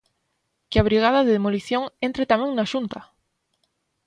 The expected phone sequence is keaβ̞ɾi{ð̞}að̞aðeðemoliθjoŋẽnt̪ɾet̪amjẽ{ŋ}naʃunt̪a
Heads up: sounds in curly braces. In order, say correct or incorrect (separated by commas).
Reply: incorrect, correct